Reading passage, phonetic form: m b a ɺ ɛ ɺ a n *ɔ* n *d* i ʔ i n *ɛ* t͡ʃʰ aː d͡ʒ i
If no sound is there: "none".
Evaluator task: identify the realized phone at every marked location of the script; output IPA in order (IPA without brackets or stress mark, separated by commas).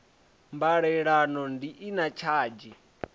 ɔ, d, a